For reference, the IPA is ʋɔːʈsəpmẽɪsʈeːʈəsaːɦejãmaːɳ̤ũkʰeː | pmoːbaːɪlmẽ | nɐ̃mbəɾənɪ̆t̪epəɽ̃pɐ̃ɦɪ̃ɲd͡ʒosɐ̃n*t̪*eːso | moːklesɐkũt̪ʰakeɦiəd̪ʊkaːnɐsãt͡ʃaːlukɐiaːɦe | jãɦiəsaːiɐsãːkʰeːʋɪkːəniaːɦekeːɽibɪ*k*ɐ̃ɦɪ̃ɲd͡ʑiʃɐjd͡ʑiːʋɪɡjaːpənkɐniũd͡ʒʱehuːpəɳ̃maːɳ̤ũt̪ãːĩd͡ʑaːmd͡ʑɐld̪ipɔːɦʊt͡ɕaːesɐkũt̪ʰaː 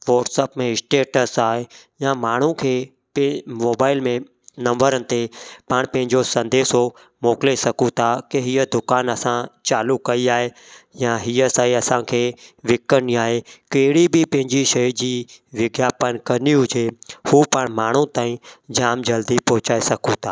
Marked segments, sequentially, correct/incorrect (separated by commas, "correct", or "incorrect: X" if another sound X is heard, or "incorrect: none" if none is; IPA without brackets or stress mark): incorrect: d̪, incorrect: p